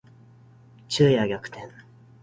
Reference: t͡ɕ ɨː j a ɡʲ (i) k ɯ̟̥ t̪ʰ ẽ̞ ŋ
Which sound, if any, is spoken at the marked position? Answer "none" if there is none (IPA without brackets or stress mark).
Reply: a